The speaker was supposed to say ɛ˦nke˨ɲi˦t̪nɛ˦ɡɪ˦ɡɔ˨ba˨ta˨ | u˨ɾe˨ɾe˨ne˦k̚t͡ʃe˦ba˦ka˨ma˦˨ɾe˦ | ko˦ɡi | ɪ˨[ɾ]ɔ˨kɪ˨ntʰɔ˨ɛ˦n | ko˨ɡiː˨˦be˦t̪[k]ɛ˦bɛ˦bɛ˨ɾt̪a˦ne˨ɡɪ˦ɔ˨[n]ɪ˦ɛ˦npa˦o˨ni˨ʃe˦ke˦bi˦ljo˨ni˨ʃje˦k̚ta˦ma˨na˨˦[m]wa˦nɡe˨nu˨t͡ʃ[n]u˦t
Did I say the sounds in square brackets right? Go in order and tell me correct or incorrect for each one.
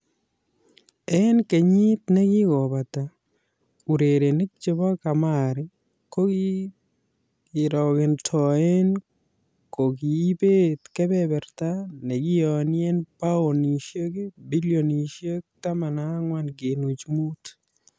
correct, correct, correct, incorrect: ŋ, incorrect: m

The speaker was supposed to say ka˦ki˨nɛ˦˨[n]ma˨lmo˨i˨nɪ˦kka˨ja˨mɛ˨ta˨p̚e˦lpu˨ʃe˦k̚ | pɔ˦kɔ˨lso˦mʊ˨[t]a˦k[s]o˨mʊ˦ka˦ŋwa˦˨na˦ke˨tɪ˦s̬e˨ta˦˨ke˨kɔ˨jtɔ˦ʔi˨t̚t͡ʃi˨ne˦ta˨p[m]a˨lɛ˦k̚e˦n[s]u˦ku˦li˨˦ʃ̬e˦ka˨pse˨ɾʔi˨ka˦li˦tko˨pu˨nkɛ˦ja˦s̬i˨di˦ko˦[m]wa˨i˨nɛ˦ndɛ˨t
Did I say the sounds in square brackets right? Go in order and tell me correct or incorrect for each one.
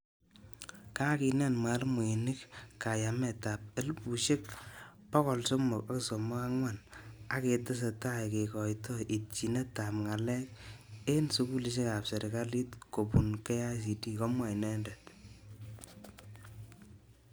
correct, incorrect: k, correct, incorrect: ŋ, correct, correct

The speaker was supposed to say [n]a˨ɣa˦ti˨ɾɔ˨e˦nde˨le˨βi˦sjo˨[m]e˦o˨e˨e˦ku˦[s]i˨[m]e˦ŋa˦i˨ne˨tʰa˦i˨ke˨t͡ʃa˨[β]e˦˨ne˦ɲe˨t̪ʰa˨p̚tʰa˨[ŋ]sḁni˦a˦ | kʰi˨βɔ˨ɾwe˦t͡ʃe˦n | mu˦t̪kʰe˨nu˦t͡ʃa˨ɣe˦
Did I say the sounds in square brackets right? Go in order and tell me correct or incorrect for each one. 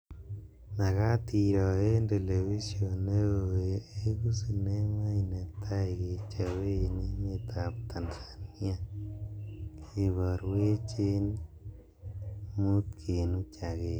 correct, incorrect: n, correct, incorrect: n, incorrect: w, incorrect: n

